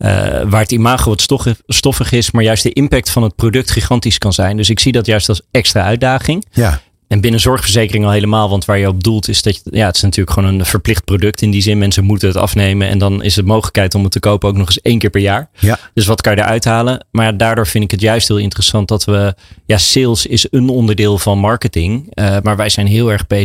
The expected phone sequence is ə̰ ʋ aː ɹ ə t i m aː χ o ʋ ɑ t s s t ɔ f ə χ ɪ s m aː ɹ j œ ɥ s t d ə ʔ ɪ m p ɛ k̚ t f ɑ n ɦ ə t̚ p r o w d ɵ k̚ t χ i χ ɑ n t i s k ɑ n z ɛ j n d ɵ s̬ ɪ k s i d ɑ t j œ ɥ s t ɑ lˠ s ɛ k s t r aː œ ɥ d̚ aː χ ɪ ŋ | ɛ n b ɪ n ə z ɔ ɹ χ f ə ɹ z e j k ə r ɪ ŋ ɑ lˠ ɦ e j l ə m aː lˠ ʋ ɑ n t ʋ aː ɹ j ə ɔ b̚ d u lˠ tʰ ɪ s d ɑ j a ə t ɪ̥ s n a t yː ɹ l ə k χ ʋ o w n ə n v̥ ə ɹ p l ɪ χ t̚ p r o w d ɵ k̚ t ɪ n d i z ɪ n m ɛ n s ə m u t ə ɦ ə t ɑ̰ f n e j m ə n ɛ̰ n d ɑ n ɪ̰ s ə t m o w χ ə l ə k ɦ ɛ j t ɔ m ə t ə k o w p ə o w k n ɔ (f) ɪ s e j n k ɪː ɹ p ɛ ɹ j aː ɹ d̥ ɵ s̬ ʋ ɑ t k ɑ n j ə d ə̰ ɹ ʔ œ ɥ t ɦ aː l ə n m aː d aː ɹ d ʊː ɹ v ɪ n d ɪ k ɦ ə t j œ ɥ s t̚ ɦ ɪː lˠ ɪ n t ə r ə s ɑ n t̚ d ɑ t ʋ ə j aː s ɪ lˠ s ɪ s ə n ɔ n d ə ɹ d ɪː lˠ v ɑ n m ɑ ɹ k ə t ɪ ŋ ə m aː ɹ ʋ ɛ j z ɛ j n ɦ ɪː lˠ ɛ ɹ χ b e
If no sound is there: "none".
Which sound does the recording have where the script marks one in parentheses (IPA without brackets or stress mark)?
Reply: χ